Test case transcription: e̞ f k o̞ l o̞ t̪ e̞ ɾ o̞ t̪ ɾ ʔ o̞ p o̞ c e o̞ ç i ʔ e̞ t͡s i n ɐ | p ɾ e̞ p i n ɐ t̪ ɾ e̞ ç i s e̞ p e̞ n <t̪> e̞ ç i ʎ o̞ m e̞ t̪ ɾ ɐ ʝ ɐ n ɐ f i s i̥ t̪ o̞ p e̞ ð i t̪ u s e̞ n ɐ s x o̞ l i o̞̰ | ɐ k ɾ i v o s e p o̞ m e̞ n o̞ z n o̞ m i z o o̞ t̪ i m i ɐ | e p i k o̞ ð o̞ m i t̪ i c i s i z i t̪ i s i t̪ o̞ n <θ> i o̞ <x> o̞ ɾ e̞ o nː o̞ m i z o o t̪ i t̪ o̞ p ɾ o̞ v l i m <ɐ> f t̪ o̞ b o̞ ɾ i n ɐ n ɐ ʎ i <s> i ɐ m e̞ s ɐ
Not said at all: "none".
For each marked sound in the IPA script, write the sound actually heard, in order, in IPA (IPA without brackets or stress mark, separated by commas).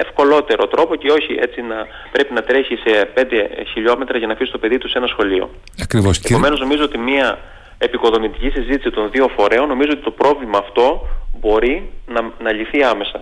d̪, ð, f, ɐː, θ